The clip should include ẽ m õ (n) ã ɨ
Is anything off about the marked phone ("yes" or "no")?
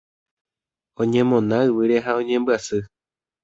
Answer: no